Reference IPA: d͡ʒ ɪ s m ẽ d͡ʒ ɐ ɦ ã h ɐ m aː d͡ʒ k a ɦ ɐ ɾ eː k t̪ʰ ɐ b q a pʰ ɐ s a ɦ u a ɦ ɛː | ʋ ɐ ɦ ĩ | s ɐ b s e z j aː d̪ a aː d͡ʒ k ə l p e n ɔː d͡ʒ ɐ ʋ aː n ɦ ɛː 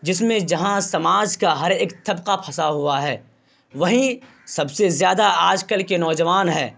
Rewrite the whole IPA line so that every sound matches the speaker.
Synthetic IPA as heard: d͡ʒ ɪ s m ẽ d͡ʒ ɐ ɦ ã s ɐ m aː d͡ʒ k a ɦ ɐ ɾ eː k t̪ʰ ɐ b q a pʰ ɐ s a ɦ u a ɦ ɛː | ʋ ɐ ɦ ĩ | s ɐ b s e z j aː d̪ a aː d͡ʒ k ə l k e n ɔː d͡ʒ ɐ ʋ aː n ɦ ɛː